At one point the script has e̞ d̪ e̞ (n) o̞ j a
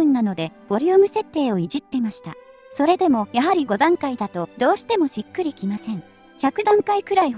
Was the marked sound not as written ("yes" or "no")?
yes